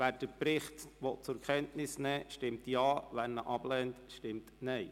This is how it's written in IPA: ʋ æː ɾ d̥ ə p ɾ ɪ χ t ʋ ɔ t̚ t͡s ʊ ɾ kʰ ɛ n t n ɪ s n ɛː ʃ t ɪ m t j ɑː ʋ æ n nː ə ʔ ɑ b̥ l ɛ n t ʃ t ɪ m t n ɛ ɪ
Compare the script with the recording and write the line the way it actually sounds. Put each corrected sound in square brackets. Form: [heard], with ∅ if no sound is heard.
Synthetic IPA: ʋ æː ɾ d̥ ə p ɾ ɪ χ t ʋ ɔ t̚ t͡s ʊ ɾ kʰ ɛ n t n ɪ s n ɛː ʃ t ɪ m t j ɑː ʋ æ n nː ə ʔ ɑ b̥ l ɛ n t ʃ t ɪ m t n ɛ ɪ